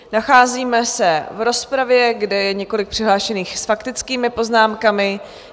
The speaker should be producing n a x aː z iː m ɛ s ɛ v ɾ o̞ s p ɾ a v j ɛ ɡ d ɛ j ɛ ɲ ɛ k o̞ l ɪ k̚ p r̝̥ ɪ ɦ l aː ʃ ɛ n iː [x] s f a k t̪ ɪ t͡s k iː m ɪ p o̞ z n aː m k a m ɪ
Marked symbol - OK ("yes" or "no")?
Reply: yes